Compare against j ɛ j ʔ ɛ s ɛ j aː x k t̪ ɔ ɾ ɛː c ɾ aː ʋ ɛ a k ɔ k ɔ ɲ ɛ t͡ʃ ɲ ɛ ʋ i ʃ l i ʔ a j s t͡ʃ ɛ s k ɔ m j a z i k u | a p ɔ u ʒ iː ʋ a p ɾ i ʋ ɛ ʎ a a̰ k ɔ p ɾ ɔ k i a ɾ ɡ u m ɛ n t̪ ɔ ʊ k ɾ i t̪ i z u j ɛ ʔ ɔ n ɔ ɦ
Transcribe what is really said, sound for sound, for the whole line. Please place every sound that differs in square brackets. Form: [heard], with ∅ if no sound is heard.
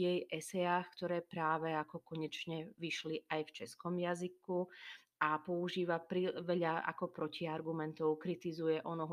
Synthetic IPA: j ɛ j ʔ ɛ s ɛ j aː x k t̪ ɔ ɾ ɛː [p] ɾ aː ʋ ɛ a k ɔ k ɔ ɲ ɛ t͡ʃ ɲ ɛ ʋ i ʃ l i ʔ a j [f] t͡ʃ ɛ s k ɔ m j a z i k u | a p ɔ u ʒ iː ʋ a p ɾ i ʋ ɛ ʎ a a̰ k ɔ p ɾ ɔ [c] i a ɾ ɡ u m ɛ n t̪ ɔ ʊ k ɾ i t̪ i z u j ɛ ʔ ɔ n ɔ ɦ